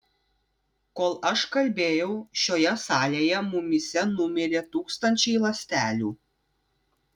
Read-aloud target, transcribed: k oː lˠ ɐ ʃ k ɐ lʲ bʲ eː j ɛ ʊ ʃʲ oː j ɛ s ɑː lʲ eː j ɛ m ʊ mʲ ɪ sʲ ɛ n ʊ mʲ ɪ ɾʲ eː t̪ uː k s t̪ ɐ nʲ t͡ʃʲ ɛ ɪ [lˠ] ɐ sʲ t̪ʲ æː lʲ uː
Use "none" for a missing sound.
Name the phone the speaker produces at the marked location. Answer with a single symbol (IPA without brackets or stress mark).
lˠ